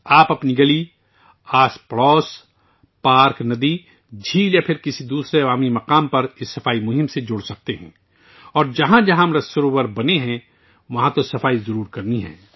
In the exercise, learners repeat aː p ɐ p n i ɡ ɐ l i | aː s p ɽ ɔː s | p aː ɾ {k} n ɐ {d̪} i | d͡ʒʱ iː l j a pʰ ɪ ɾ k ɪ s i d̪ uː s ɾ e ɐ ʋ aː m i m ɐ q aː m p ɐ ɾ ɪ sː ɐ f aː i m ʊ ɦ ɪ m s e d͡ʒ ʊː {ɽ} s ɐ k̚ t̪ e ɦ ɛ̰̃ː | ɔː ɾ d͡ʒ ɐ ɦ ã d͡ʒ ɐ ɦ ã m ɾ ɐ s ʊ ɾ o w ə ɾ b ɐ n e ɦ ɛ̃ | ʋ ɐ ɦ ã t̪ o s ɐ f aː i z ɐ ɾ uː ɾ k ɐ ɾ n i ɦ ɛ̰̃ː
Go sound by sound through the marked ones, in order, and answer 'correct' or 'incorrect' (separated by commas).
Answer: correct, correct, correct